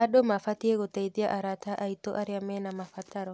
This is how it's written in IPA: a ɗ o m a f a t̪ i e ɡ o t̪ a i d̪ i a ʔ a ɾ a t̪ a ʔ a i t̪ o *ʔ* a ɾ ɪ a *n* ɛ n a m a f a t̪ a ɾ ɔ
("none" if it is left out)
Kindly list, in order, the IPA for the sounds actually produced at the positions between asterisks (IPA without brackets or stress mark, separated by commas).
ʔ, m